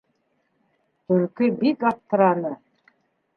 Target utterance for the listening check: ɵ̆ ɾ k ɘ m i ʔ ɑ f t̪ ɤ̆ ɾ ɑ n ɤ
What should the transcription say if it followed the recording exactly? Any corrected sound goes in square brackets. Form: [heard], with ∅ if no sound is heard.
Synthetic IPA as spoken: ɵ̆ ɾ k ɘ [b] i [k] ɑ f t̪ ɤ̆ ɾ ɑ n ɤ